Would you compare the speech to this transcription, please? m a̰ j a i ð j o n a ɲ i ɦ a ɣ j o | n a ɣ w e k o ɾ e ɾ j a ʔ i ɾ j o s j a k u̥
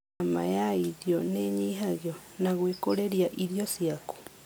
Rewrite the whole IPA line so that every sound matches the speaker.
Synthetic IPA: m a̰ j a i ð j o n e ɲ i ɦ a ɣ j o | n a ɣ w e k o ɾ e ɾ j a ʔ i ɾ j o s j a k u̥